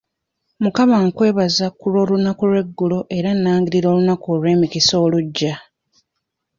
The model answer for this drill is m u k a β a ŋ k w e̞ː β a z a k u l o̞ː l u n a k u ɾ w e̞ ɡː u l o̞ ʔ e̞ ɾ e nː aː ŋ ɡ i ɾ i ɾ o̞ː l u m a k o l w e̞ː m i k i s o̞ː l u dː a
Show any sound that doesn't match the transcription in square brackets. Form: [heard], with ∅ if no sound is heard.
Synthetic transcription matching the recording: m u k a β a ŋ k w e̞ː β a z a k u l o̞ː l u n a k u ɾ w e̞ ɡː u l o̞ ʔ e̞ ɾ [a] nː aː ŋ ɡ i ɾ i ɾ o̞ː l u [n] a k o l w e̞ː m i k i s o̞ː l u [ɟː] a